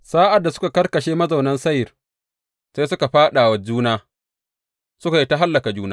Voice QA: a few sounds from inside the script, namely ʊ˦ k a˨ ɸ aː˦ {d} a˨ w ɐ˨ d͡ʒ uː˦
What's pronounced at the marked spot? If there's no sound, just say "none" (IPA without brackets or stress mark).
ɗ